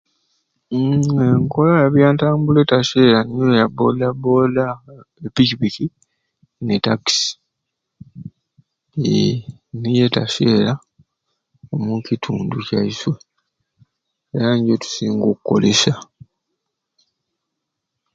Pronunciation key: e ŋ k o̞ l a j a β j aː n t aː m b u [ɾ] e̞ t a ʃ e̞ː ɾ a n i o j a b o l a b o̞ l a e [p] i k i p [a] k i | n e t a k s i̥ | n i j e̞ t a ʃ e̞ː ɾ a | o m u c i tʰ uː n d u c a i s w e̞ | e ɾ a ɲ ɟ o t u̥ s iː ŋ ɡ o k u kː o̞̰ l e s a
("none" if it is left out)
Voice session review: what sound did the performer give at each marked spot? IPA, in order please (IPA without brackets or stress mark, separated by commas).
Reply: l, p, i